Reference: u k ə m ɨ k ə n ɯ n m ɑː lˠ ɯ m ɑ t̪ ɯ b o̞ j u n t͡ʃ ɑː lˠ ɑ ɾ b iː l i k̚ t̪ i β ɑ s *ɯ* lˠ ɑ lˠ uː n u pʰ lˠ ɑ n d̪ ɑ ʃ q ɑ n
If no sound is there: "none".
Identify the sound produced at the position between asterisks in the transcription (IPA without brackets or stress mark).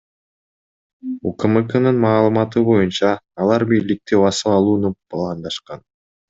ɯ